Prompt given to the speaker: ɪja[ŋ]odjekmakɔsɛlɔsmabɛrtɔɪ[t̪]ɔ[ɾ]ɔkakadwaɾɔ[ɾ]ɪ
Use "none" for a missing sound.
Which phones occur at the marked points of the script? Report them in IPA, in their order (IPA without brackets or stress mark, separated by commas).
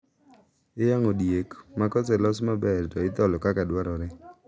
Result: ŋ, t̪, l, ɾ